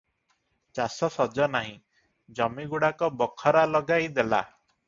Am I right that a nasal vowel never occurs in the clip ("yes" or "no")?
no